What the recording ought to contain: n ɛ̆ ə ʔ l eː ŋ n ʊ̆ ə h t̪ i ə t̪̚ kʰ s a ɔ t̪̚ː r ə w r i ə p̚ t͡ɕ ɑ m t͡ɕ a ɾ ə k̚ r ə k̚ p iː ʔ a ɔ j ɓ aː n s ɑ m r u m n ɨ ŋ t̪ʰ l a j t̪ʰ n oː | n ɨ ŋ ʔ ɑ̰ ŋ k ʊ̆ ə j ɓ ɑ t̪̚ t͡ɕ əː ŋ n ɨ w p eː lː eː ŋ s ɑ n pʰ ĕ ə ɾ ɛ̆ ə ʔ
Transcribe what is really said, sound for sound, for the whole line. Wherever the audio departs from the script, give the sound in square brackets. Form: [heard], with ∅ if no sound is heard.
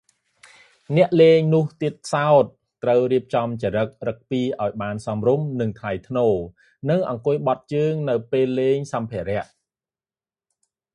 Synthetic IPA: n ɛ̆ ə ʔ l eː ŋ n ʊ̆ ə h t̪ i ə t̪̚ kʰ s a ɔ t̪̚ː r ə w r i ə p̚ t͡ɕ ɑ m t͡ɕ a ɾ ə k̚ r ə k̚ p iː ʔ a ɔ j ɓ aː n s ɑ m r u m n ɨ ŋ t̪ʰ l a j t̪ʰ n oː | n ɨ ŋ ʔ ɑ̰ ŋ k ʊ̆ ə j ɓ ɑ t̪̚ t͡ɕ əː ŋ n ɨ w p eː lː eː ŋ s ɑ [m] pʰ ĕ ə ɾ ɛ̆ ə ʔ